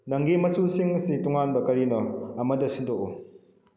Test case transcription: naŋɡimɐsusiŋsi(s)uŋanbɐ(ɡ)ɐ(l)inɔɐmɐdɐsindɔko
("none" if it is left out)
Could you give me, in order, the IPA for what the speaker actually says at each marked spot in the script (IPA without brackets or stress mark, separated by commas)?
t, k, ɾ